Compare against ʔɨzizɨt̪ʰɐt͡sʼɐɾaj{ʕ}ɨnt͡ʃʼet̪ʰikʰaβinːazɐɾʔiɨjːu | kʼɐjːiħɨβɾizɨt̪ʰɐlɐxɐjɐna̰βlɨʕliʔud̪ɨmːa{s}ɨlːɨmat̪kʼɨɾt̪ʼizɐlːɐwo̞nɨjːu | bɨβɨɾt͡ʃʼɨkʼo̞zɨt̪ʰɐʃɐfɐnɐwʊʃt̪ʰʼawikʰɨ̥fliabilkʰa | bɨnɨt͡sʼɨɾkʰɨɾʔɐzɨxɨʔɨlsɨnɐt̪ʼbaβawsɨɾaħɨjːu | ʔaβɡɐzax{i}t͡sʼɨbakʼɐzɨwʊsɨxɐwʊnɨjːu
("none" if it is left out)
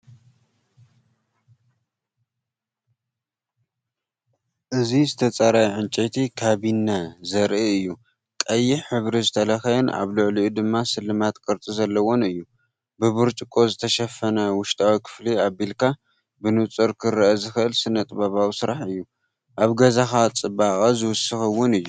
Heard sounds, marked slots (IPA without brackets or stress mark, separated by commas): ʕ, s, a